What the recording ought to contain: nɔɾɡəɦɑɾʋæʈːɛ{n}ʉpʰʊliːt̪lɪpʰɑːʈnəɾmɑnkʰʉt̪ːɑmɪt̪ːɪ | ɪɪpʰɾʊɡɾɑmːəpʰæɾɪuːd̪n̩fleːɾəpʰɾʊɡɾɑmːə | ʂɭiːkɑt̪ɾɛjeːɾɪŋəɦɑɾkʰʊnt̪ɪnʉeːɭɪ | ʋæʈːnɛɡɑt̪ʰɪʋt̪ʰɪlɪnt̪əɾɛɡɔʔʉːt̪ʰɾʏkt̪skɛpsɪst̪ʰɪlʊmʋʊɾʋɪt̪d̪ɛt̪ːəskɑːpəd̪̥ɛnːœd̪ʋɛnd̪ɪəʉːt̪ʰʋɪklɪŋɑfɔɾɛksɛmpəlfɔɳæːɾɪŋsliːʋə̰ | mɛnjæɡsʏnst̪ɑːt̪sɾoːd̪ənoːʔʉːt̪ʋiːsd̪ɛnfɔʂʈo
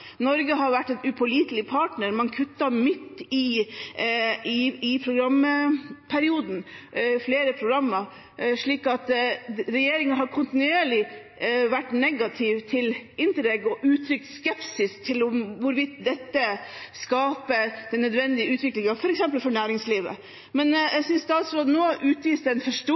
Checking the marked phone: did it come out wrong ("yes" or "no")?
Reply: no